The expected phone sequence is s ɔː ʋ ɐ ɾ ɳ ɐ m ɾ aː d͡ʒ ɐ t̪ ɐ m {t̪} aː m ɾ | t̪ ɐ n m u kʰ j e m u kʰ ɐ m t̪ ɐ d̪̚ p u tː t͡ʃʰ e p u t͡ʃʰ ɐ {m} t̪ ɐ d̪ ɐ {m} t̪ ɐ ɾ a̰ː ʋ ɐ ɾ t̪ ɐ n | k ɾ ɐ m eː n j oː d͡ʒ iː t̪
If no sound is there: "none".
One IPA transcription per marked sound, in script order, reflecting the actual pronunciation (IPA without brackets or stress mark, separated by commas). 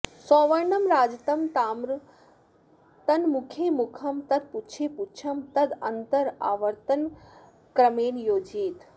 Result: t̪, m, n